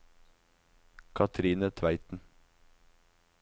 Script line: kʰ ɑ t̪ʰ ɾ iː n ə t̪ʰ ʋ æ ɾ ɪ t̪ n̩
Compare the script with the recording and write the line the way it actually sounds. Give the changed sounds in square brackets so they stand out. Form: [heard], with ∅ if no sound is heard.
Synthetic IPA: kʰ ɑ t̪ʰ ɾ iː n ə t̪ʰ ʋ æ [∅] ɪ t̪ n̩

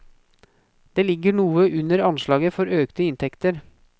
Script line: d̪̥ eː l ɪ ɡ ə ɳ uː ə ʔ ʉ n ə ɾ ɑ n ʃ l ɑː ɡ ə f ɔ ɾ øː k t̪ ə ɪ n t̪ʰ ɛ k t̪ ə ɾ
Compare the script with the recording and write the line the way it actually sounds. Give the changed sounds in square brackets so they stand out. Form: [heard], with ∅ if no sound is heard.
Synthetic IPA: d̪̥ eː l ɪ ɡ ə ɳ uː ə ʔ ʉ n ə ɾ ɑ n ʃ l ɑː ɡ ə f ɔ ɾ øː k t̪ ə ɪ n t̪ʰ ɛ k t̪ ə ɾ

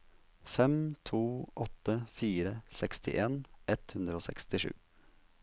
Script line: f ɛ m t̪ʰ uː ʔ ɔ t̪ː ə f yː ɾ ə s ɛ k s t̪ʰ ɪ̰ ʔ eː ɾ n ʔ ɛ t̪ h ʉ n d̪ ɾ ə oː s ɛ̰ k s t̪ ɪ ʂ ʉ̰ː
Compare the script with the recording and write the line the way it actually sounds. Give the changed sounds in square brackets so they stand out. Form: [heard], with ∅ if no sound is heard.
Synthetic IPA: f ɛ m t̪ʰ uː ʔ ɔ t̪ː ə f [iː] ɾ ə s ɛ k s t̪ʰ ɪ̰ ʔ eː [∅] n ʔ ɛ t̪ h ʉ n d̪ ɾ ə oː s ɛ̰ k s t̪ ɪ ʂ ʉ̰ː

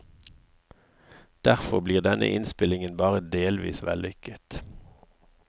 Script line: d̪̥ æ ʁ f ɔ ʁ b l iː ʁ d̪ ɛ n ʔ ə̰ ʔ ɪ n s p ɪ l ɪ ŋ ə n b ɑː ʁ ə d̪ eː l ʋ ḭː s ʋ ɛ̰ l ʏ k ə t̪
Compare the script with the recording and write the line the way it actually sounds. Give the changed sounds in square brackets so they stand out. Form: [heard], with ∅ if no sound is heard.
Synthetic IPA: d̪̥ æ ʁ f ɔ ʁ b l iː ʁ d̪ ɛ n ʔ ə̰ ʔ ɪ n s p ɪ l ɪ ŋ ə n b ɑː ʁ ə d̪ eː l ʋ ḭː s ʋ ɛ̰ l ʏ k ə t̪

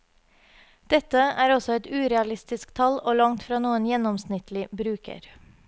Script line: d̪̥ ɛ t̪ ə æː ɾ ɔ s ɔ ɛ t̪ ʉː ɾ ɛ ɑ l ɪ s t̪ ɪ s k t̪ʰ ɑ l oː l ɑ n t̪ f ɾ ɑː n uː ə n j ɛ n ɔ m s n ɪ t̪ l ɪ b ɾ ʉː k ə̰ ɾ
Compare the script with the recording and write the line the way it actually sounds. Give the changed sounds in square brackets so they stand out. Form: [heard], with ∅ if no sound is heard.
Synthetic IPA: d̪̥ ɛ t̪ ə æː ɾ ɔ s ɔ ɛ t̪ ʉː ɾ ɛ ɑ l ɪ s t̪ ɪ s k t̪ʰ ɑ l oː l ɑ [ŋ] t̪ f ɾ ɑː n uː ə n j ɛ n ɔ m s n ɪ t̪ l ɪ b ɾ ʉː k ə̰ ɾ

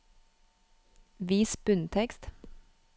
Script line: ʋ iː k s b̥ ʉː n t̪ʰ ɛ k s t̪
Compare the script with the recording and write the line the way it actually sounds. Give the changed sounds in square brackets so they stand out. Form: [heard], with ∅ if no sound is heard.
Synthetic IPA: ʋ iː [∅] s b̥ [ʉ] n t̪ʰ ɛ k s t̪

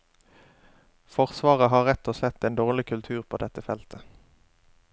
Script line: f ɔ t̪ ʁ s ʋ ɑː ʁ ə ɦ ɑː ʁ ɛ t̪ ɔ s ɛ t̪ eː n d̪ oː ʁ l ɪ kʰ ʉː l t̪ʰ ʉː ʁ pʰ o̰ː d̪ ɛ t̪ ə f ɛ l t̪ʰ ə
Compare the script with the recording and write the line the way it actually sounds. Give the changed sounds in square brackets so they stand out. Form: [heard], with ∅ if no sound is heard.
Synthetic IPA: f ɔ [∅] ʁ s ʋ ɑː ʁ ə ɦ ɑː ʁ ɛ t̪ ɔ s ɛ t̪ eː n d̪ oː ʁ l ɪ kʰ [ʉ] l t̪ʰ ʉː ʁ pʰ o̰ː d̪ ɛ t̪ ə f ɛ l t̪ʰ ə

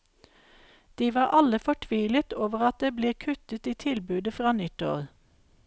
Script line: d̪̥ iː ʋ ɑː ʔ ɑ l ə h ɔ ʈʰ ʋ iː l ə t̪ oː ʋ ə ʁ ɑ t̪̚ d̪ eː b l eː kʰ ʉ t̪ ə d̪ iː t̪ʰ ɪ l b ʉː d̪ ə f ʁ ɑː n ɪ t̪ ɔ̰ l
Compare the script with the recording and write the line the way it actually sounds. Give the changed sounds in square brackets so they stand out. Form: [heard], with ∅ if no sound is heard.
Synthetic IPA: d̪̥ iː ʋ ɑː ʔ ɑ l ə [f] ɔ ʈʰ ʋ iː l ə t̪ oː ʋ ə ʁ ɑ t̪̚ d̪ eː b l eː kʰ ʉ t̪ ə [t̪] iː t̪ʰ ɪ l b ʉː d̪ ə f ʁ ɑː n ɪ t̪ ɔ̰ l

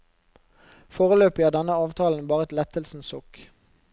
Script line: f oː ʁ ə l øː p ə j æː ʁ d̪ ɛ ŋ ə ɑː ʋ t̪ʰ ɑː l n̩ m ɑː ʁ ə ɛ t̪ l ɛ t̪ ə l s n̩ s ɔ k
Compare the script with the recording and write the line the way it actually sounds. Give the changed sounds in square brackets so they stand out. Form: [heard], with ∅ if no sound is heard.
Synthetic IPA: f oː ʁ ə l øː p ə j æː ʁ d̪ ɛ [n] ə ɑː ʋ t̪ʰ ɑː l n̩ [b] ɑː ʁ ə ɛ t̪ l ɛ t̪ ə l s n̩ s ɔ k

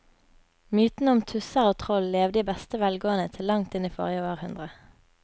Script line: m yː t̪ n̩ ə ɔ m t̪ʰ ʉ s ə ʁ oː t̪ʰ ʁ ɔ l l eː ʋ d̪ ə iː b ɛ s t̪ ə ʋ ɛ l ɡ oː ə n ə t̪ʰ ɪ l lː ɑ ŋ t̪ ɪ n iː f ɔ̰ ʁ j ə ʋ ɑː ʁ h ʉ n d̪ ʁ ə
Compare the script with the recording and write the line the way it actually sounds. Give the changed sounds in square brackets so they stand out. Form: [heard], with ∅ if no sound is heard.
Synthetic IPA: m yː t̪ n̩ ə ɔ m t̪ʰ ʉ s ə ʁ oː t̪ʰ ʁ ɔ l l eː ʋ d̪ ə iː b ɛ s t̪ ə ʋ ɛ l ɡ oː ə n ə t̪ʰ ɪ l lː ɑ ŋ t̪ ɪ n iː f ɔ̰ ʁ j ə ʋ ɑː ʁ h ʉ n d̪ ʁ ə

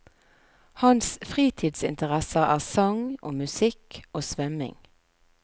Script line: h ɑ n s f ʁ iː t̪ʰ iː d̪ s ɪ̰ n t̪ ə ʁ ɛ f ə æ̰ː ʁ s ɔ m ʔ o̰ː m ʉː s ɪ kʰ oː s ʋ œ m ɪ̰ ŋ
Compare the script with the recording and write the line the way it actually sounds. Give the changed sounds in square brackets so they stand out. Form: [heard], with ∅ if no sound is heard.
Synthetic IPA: h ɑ n s f ʁ iː t̪ʰ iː d̪ s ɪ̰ n t̪ ə ʁ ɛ [s] ə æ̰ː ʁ s ɔ [ŋ] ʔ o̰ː m [ʉ] s ɪ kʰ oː s ʋ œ m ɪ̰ ŋ

